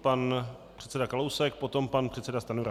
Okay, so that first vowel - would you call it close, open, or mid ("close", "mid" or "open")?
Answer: open